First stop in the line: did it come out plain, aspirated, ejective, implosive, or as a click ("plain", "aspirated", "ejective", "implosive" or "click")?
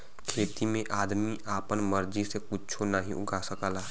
aspirated